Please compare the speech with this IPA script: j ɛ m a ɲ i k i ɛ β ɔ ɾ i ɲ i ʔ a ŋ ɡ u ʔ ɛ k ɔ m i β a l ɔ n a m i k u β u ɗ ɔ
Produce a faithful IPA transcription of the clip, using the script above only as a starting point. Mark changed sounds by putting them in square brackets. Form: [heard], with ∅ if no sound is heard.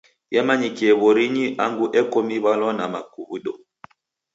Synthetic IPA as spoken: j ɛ m a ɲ i k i ɛ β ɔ ɾ i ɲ i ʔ a ŋ ɡ u ʔ ɛ k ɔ m i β a l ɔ n a m [a] k u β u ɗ ɔ

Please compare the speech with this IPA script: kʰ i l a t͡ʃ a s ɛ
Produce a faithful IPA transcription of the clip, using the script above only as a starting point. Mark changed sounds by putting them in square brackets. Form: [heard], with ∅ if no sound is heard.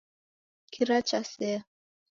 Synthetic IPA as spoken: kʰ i [ɾ] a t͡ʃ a s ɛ

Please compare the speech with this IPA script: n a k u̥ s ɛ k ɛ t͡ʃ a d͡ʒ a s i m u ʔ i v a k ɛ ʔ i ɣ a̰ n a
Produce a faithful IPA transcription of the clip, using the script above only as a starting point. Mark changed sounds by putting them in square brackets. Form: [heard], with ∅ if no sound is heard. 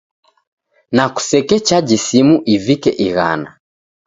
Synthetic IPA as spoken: n a k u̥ s ɛ k ɛ t͡ʃ a d͡ʒ [i] s i m u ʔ i v [i] k ɛ ʔ i ɣ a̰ n a

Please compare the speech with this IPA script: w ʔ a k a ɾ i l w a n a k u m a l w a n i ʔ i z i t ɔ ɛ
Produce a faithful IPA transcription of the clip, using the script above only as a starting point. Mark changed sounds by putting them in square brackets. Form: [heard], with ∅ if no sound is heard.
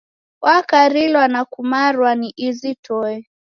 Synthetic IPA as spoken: w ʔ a k a ɾ i l w a n a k u m a [ɾ] w a n i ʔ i z i t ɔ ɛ

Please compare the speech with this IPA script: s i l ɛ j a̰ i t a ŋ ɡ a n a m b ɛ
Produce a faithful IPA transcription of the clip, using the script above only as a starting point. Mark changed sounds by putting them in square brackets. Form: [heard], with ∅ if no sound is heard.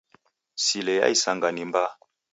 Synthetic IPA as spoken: s i l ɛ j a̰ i [s] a ŋ ɡ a n [i] m b [a]

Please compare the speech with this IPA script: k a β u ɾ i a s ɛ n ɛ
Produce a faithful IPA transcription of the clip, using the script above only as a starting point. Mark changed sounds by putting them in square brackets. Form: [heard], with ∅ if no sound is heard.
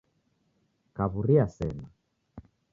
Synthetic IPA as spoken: k a β u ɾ i a s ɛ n [a]

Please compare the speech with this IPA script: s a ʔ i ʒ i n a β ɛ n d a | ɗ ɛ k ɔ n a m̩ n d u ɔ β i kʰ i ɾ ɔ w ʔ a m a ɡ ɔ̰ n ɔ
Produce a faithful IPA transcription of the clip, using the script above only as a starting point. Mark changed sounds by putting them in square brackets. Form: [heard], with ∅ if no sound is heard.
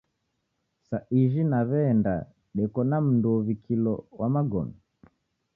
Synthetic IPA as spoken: s a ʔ i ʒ i n a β ɛ n d a | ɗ ɛ k ɔ n a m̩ n d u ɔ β i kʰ i [l] ɔ w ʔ a m a ɡ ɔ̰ n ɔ

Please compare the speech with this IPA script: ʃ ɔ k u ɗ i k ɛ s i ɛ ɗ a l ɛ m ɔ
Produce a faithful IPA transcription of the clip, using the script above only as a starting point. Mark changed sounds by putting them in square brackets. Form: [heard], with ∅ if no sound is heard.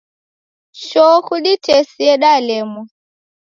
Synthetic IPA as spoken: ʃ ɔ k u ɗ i [t] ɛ s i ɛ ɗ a l ɛ m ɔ

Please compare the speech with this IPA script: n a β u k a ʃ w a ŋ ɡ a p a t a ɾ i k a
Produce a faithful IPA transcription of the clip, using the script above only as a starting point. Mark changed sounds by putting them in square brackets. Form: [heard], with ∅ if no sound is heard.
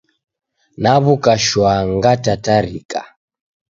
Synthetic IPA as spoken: n a β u k a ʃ w a ŋ ɡ a [t] a t a ɾ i k a

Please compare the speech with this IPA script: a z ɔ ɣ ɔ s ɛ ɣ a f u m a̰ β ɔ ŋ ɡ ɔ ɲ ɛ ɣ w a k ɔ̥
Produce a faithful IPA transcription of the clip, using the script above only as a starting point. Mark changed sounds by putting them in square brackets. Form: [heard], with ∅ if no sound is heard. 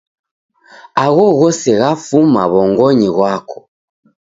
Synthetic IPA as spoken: a [ɣ] ɔ ɣ ɔ s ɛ ɣ a f u m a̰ β ɔ ŋ ɡ ɔ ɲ [i] ɣ w a k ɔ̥

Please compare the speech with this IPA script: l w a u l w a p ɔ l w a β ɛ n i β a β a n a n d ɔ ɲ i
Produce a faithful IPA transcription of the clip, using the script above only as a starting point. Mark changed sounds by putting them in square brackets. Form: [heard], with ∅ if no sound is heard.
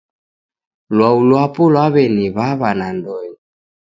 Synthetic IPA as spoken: l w a u l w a p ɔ l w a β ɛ n i β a β a n a n d ɔ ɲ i

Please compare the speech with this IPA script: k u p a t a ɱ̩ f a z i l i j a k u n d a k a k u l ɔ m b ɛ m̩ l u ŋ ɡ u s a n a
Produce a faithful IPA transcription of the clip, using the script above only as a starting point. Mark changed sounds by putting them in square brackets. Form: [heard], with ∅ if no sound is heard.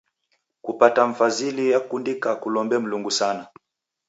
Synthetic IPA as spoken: k u p a t a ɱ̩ f a z i l i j a k u n d [i] k a k u l ɔ m b ɛ m̩ l u ŋ ɡ u s a n a

